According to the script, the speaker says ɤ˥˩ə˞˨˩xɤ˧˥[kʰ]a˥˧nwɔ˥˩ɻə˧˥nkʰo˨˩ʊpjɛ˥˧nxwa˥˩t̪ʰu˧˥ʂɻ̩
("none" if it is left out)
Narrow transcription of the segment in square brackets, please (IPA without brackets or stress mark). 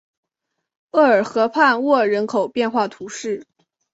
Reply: pʰ